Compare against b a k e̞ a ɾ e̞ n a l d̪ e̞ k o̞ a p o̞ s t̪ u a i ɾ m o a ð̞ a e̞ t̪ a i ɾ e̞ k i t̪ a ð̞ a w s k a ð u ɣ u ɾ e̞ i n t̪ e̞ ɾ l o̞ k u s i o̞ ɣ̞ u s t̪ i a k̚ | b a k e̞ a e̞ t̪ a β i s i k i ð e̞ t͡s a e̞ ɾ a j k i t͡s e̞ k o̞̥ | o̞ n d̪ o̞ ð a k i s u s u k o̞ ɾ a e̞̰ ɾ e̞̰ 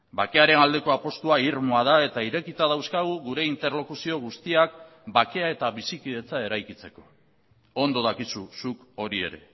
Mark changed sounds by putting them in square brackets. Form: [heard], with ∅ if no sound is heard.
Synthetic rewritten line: b a k e̞ a ɾ e̞ n a l d̪ e̞ k o̞ a p o̞ s t̪ u a i ɾ m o a ð̞ a e̞ t̪ a i ɾ e̞ k i t̪ a ð̞ a w s k a [ɣ] u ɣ u ɾ e̞ i n t̪ e̞ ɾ l o̞ k u s i o̞ ɣ̞ u s t̪ i a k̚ | b a k e̞ a e̞ t̪ a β i s i k i ð e̞ t͡s a e̞ ɾ a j k i t͡s e̞ k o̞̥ | o̞ n d̪ o̞ ð a k i s u s u k o̞ ɾ [i] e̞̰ ɾ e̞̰